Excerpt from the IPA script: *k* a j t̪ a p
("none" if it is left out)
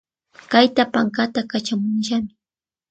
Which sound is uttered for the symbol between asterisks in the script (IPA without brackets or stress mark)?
k